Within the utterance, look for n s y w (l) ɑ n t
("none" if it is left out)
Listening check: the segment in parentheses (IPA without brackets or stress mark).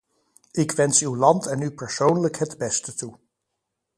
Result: l